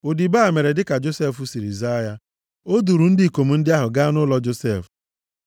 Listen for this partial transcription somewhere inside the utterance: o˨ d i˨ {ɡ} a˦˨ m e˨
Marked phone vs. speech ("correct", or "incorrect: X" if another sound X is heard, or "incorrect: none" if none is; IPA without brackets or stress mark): incorrect: b